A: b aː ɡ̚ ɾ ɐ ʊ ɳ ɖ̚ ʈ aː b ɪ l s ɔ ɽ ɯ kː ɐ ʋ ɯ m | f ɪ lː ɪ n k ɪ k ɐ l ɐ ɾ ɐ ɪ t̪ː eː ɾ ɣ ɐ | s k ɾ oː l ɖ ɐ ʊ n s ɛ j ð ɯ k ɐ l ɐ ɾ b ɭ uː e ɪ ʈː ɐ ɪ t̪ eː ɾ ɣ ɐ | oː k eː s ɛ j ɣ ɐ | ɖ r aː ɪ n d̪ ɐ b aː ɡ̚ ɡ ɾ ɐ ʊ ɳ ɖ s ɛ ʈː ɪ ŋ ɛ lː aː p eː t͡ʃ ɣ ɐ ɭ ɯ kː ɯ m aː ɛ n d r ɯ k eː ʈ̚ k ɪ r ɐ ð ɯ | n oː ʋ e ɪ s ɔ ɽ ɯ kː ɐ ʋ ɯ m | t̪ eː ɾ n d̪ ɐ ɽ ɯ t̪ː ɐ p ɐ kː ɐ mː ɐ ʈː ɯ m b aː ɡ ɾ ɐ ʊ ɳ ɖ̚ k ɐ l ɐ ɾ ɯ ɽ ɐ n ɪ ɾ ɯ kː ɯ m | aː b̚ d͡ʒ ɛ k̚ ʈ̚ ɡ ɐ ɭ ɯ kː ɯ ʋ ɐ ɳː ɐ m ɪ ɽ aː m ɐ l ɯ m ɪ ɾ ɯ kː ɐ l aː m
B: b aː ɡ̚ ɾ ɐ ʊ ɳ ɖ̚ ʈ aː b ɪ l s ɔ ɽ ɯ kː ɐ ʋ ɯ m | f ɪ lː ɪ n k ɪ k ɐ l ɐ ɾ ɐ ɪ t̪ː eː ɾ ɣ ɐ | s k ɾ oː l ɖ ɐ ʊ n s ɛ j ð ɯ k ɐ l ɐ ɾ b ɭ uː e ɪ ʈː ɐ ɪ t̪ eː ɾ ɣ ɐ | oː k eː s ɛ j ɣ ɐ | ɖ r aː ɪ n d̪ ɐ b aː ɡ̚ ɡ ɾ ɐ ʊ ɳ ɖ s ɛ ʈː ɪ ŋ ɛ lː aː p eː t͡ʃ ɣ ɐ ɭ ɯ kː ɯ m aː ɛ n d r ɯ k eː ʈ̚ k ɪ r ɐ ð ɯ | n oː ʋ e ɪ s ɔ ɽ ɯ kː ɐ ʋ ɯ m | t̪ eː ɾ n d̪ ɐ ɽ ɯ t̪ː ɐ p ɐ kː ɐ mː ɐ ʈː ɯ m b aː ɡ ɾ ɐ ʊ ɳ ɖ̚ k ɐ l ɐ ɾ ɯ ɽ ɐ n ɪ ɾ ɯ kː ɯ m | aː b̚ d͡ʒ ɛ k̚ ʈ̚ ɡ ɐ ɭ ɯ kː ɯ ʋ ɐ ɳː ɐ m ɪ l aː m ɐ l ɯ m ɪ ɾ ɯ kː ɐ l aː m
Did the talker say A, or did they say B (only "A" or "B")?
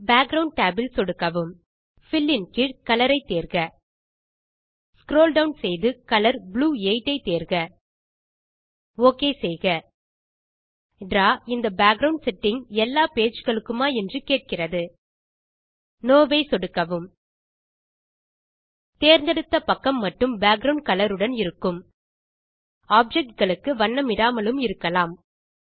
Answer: A